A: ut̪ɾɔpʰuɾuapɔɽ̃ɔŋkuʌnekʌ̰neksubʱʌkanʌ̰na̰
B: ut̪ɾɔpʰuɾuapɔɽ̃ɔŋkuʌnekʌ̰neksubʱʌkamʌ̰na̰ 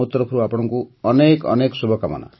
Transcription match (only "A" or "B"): B